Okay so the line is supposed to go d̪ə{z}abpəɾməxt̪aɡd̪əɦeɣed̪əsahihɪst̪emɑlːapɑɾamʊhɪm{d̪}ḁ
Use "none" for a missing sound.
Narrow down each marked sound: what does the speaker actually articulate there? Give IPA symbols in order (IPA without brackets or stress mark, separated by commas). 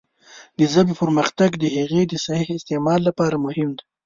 z, d̪